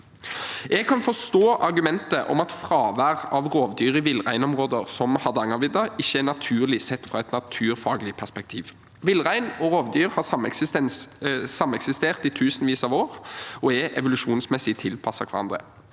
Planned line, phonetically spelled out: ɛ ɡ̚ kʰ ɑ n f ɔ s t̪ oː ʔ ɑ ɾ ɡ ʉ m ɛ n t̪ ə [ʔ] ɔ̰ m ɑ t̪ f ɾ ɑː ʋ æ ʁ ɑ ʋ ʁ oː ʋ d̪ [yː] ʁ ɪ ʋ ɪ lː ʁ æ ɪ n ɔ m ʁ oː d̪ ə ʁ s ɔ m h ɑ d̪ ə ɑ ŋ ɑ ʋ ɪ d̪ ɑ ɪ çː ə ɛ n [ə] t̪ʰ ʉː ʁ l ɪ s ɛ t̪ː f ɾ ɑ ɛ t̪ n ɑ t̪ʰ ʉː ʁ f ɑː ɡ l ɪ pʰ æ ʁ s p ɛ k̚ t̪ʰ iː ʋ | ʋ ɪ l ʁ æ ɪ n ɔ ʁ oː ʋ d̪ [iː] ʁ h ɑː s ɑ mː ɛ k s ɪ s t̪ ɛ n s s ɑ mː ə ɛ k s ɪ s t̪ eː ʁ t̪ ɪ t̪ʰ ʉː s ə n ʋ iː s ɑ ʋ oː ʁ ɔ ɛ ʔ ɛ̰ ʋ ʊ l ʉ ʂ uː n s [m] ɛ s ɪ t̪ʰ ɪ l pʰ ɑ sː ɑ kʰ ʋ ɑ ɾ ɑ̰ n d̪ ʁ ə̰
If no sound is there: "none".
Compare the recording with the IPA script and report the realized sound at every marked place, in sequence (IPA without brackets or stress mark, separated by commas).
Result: ʔ, yː, ɑ, yː, m